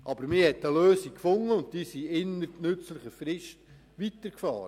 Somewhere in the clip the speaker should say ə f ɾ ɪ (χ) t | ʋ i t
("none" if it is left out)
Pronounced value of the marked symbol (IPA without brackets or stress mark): ʃ